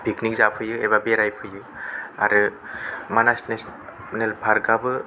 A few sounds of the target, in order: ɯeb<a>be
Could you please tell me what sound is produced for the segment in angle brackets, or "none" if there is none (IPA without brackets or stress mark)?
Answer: a